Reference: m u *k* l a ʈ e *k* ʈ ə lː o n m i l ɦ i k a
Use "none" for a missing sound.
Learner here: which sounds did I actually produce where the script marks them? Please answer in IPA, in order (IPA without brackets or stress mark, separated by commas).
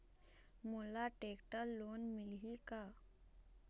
none, k